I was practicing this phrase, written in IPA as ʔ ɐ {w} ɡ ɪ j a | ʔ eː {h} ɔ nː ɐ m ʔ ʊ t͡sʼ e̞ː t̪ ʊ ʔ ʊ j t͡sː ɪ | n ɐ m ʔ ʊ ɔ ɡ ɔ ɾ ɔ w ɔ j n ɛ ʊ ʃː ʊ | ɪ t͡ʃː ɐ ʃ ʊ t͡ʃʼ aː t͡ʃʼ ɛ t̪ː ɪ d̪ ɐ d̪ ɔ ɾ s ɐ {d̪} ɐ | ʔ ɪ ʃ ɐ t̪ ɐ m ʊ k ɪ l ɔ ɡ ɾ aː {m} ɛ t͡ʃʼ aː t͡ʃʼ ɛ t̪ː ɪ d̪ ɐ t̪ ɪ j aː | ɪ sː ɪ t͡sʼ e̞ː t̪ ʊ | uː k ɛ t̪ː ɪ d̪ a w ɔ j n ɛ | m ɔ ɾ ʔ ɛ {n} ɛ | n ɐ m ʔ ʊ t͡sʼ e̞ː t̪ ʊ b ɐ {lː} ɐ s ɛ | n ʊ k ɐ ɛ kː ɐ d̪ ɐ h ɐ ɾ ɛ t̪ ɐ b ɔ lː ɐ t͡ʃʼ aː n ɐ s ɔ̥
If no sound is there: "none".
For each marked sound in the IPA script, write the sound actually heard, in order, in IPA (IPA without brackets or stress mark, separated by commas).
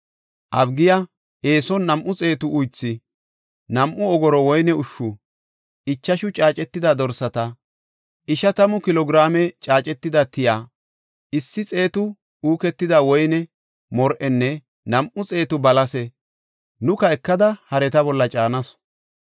b, s, t̪, m, nː, l